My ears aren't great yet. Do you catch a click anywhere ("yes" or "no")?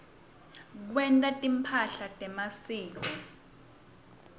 no